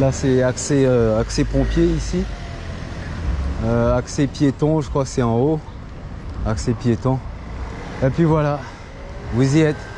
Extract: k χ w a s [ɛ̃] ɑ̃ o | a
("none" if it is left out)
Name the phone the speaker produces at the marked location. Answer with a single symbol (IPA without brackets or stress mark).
ɛ